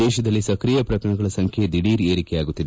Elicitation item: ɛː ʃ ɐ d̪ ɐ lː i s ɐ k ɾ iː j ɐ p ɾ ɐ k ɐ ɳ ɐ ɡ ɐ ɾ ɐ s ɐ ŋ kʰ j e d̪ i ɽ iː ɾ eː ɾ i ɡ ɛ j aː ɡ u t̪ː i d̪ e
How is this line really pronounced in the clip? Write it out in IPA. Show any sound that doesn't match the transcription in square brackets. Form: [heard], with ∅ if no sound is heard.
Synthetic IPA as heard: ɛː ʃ ɐ d̪ ɐ lː i s ɐ k ɾ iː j ɐ p ɾ ɐ k ɐ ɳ ɐ ɡ ɐ [ɭ] ɐ s ɐ ŋ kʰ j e d̪ i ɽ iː ɾ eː ɾ i [k] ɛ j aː ɡ u t̪ː i d̪ e